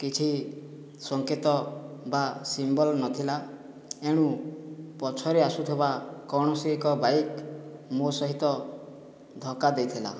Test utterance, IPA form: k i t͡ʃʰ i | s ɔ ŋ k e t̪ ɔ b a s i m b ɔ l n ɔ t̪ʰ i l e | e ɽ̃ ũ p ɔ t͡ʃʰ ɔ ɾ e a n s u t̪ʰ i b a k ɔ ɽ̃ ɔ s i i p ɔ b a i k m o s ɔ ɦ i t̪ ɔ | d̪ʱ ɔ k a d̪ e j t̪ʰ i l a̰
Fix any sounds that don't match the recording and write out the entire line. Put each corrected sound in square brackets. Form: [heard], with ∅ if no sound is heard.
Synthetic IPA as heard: k i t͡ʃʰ i | s ɔ ŋ k e t̪ ɔ b a s i m b ɔ l n ɔ t̪ʰ i l [a] | e ɽ̃ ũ p ɔ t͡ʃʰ ɔ ɾ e a [∅] s u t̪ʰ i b a k ɔ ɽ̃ ɔ s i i [k] ɔ b a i k m o s ɔ ɦ i t̪ ɔ | d̪ʱ ɔ k a d̪ e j t̪ʰ i l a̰